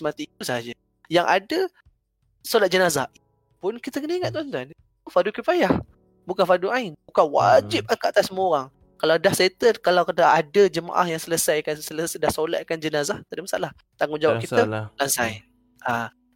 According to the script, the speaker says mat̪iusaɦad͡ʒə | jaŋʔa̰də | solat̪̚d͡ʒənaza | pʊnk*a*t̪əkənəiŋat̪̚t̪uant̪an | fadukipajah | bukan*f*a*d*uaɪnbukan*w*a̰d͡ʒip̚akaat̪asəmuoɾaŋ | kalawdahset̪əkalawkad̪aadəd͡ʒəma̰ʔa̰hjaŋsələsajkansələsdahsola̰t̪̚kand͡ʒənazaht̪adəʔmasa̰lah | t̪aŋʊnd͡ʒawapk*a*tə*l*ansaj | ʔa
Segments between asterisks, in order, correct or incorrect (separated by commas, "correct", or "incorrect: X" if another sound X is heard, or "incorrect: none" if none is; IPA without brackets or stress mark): incorrect: i, correct, correct, correct, incorrect: i, correct